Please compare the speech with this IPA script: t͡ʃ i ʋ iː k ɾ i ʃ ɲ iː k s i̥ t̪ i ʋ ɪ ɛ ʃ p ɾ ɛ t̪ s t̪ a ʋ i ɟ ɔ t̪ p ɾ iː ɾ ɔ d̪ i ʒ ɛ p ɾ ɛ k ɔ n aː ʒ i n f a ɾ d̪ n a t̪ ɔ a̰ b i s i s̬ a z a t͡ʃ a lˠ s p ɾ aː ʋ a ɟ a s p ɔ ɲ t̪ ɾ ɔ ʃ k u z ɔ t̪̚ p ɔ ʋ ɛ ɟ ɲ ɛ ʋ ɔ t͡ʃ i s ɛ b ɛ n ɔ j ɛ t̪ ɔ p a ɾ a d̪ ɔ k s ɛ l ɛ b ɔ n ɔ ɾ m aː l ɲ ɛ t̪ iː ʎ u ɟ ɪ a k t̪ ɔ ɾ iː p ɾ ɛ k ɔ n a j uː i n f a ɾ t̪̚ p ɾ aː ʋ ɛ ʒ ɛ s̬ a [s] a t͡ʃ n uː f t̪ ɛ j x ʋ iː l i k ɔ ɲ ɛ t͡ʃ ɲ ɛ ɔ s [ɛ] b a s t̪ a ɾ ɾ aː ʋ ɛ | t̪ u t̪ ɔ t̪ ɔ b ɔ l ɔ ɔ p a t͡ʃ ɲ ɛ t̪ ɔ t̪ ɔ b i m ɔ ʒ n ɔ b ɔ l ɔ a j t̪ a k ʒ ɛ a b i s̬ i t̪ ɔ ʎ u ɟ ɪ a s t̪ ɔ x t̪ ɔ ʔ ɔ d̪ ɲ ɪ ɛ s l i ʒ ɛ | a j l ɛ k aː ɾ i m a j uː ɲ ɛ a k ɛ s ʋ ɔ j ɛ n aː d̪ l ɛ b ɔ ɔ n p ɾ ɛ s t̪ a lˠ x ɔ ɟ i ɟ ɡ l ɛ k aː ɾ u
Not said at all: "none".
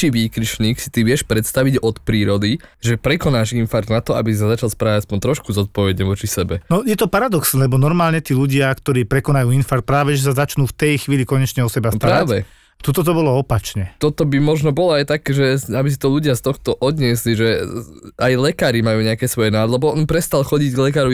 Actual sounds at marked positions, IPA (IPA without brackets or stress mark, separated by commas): z, ɛ